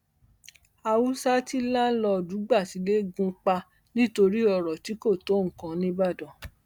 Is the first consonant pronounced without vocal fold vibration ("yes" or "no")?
no